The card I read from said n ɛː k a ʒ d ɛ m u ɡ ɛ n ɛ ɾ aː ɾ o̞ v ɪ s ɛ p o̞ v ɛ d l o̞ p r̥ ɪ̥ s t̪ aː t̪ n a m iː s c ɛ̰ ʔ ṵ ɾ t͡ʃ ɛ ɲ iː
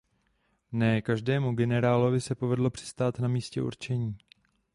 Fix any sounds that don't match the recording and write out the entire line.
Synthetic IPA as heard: n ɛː k a ʒ d ɛː m u ɡ ɛ n ɛ ɾ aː l o̞ v ɪ s ɛ p o̞ v ɛ d l o̞ p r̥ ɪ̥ s t̪ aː t̪ n a m iː s c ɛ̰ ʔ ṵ ɾ t͡ʃ ɛ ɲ iː